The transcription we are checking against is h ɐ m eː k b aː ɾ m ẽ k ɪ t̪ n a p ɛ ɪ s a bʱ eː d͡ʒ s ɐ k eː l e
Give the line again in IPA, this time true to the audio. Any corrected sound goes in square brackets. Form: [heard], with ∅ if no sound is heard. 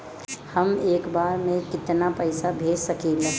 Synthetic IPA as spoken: h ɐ m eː k b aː ɾ m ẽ k ɪ t̪ n a p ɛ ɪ s a bʱ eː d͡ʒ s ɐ k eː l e